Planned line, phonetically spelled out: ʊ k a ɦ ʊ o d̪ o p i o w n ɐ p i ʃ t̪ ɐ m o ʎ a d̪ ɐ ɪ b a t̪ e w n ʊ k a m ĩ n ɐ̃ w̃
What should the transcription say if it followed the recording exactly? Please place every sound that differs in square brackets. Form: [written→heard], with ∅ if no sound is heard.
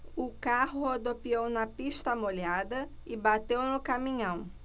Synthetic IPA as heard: ʊ k a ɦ ʊ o d̪ o p i o w n ɐ p i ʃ t̪ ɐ m o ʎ a d̪ ɐ ɪ b a t̪ e w n ʊ k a m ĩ [n→ɲ] ɐ̃ w̃